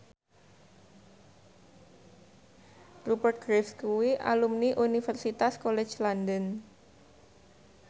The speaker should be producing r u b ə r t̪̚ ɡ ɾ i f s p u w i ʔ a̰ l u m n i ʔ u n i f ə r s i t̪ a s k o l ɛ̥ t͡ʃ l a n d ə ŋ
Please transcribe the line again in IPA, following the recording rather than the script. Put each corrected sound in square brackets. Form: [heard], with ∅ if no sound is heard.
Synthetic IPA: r u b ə r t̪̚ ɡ ɾ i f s [k] u w i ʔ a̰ l u m n i ʔ u n i f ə r s i t̪ a s k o l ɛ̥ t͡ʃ l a n d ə [n]

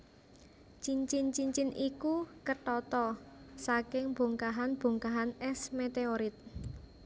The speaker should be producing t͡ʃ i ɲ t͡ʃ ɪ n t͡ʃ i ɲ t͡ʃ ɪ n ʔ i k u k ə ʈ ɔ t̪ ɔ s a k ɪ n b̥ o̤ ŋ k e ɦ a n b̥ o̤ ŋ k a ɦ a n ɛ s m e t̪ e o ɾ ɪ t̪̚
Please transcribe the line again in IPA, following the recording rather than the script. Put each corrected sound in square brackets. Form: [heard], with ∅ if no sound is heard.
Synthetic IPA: t͡ʃ i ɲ t͡ʃ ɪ n t͡ʃ i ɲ t͡ʃ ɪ n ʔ i k u k ə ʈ ɔ t̪ ɔ s a k ɪ [ŋ] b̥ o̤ ŋ k [a] ɦ a n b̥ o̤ ŋ k a ɦ a n ɛ s m e t̪ e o ɾ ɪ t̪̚

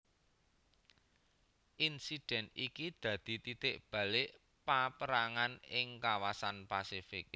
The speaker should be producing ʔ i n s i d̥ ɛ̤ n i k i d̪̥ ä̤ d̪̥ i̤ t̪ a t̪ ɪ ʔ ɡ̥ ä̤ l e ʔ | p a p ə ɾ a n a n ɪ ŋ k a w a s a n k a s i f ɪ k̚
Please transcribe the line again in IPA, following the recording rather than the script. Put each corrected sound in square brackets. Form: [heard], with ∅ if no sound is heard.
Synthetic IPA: ʔ i n s i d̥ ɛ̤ n i k i d̪̥ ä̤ d̪̥ i̤ t̪ [i] t̪ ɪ ʔ [b̥] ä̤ l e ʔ | p a p ə ɾ a [ŋ] a n ɪ ŋ k a w a s a n [p] a s i f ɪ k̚

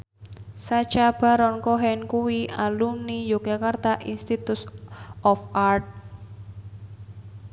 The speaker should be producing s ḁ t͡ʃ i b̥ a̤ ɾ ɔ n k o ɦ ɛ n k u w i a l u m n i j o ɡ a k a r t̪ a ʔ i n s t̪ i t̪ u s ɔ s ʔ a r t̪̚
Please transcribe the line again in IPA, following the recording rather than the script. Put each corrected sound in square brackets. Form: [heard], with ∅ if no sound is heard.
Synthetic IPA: s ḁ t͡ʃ [a] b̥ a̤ ɾ ɔ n k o ɦ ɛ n k u w i a l u m n i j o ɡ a k a r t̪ a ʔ i n s t̪ i t̪ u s ɔ [f] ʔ a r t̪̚

